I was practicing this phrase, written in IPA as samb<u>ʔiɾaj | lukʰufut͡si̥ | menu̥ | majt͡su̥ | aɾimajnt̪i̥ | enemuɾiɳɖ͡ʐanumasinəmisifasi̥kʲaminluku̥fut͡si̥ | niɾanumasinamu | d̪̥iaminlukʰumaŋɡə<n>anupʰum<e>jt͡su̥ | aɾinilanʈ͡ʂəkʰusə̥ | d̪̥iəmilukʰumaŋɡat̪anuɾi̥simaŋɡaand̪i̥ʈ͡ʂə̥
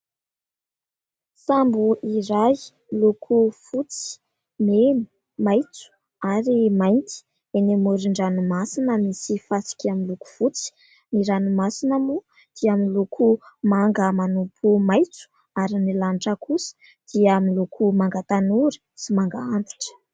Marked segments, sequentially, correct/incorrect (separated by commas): correct, incorrect, incorrect